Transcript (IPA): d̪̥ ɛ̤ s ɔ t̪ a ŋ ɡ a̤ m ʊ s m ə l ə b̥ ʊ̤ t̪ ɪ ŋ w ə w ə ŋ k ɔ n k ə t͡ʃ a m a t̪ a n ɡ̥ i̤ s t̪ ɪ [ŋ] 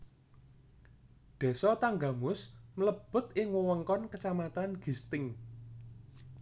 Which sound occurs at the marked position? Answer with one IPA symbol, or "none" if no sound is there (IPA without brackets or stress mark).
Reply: ŋ